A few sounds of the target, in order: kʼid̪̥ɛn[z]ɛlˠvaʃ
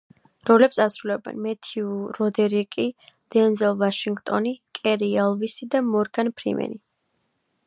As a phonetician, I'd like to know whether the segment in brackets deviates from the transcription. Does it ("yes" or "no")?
no